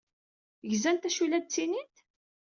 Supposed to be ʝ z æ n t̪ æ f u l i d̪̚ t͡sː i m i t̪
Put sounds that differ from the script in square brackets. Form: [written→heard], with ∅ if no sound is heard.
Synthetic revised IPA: ʝ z æ n t̪ æ [f→ʃ] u l [i→æ] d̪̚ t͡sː i [m→n] i t̪